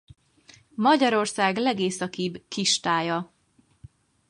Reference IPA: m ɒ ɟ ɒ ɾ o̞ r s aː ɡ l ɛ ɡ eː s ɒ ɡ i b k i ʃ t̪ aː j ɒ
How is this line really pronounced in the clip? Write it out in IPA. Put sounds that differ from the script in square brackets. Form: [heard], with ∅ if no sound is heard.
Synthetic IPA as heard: m ɒ ɟ ɒ ɾ o̞ r s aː ɡ l ɛ ɡ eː s ɒ [k] i b k i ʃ t̪ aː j ɒ

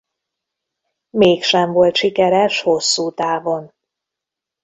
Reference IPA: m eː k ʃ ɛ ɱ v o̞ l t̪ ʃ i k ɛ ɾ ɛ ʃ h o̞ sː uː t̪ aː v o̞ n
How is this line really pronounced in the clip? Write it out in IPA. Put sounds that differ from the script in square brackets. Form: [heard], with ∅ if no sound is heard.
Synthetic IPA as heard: m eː k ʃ ɛ ɱ v o̞ l t̪ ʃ i k ɛ ɾ ɛ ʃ h o̞ sː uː t̪ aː v o̞ n

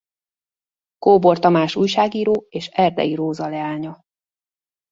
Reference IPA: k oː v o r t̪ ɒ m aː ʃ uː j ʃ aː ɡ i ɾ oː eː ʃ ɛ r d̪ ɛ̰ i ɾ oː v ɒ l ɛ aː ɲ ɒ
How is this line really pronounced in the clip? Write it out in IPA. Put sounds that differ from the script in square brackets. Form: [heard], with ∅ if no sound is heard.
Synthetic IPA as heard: k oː [b] o r t̪ ɒ m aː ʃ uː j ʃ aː ɡ [iː] ɾ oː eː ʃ ɛ r d̪ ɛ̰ i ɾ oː [z] ɒ l ɛ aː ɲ ɒ

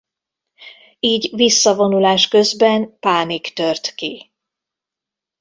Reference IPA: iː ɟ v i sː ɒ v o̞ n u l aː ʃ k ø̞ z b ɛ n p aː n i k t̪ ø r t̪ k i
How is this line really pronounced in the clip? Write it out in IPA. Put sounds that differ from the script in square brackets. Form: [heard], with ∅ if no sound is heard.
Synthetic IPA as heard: iː ɟ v i sː ɒ v o̞ n u l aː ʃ k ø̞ z b ɛ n p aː n i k t̪ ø r t̪ k i

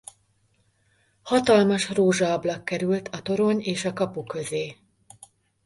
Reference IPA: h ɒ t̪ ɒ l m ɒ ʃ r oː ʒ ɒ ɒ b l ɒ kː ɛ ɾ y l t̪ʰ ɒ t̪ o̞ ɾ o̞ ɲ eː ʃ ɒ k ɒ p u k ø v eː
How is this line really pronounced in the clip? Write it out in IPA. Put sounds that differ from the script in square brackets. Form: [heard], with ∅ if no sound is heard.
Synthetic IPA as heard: h ɒ t̪ ɒ l m ɒ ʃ r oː ʒ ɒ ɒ b l ɒ kː ɛ ɾ y l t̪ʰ ɒ t̪ o̞ ɾ o̞ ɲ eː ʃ ɒ k ɒ p u k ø [z] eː

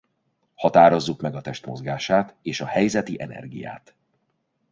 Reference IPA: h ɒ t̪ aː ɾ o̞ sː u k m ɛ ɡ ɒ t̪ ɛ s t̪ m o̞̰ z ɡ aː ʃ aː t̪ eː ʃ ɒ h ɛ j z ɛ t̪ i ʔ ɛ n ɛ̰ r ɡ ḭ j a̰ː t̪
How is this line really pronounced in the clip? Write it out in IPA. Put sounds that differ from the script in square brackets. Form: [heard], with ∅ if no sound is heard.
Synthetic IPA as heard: h ɒ t̪ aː ɾ o̞ [zː] u k m ɛ ɡ ɒ t̪ ɛ [ʃ] t̪ m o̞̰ z ɡ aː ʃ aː t̪ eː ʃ ɒ h ɛ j z ɛ t̪ i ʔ ɛ n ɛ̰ r ɡ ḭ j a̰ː t̪

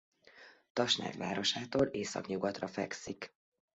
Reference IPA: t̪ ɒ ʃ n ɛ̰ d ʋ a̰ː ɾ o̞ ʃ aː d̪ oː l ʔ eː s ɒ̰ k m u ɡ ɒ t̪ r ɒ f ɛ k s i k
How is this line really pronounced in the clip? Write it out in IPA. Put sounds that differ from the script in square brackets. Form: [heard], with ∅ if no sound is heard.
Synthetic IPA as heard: t̪ ɒ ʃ n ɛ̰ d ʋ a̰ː ɾ o̞ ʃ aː [t̪] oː l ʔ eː s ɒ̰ k [ɲ] u ɡ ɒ t̪ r ɒ f ɛ k s i k

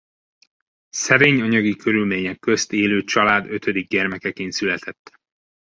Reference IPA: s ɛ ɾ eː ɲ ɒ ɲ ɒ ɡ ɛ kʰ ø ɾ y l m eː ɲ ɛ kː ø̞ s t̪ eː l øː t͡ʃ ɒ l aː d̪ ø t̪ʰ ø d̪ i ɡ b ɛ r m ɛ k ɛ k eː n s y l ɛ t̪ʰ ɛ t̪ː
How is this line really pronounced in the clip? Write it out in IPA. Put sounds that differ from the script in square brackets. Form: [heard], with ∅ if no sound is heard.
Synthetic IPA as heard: s ɛ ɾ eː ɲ ɒ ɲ ɒ ɡ [i] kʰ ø ɾ y l m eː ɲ ɛ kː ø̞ s t̪ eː l øː t͡ʃ ɒ l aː d̪ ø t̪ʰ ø d̪ i ɡ [ɟ] ɛ r m ɛ k ɛ k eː n s y l ɛ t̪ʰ ɛ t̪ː

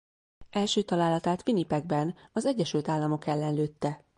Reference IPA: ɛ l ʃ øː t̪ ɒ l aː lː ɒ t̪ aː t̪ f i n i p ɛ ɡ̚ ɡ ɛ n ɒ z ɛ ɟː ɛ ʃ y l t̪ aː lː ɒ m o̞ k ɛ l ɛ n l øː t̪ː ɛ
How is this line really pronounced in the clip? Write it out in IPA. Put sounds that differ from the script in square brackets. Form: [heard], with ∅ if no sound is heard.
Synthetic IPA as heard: ɛ l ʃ øː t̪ ɒ l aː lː ɒ t̪ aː t̪ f i n i p ɛ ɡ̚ [b] ɛ n ɒ z ɛ ɟː ɛ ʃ y l t̪ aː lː ɒ m o̞ k ɛ [lː] ɛ n l øː t̪ː ɛ

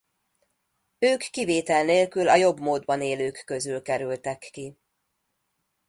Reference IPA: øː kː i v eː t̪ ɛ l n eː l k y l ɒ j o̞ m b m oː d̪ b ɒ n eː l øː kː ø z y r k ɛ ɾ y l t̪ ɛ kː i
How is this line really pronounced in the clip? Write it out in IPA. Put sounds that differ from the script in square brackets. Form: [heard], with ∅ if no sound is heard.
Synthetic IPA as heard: øː kː i v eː t̪ ɛ l n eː l k y l ɒ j o̞ [∅] b m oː d̪ b ɒ n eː l øː kː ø z y [l] k ɛ ɾ y l t̪ ɛ kː i

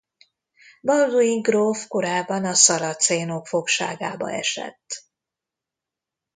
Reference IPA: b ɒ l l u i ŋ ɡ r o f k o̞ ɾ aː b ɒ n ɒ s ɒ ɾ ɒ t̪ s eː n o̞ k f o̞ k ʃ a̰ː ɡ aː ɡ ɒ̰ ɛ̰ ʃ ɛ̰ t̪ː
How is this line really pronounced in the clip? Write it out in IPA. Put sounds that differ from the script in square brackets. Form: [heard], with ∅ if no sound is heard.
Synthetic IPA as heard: b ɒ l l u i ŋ ɡ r o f k o̞ ɾ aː [bː] ɒ n ɒ s ɒ ɾ ɒ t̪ s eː n o̞ k f o̞ k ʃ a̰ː ɡ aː [b] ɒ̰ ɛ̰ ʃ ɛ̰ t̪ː

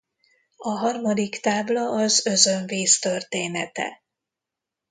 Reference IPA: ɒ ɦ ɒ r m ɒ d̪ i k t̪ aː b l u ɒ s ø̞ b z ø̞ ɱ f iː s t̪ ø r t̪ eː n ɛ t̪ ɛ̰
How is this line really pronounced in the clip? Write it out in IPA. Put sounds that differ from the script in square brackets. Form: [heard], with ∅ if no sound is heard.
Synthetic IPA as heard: ɒ ɦ ɒ r m ɒ d̪ i k t̪ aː b l [ɒ] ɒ [z] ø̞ [∅] z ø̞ ɱ [v] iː s t̪ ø r t̪ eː n ɛ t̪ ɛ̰

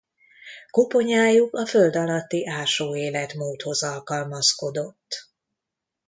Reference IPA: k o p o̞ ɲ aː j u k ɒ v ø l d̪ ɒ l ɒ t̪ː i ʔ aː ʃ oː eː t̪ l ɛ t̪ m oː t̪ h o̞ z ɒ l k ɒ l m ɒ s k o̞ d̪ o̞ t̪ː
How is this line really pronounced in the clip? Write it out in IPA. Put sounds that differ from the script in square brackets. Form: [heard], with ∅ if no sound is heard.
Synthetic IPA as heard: k o p o̞ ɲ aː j u k ɒ [f] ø l d̪ ɒ l ɒ t̪ː i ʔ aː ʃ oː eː [∅] l ɛ t̪ m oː t̪ h o̞ z ɒ l k ɒ l m ɒ s k o̞ d̪ o̞ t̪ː

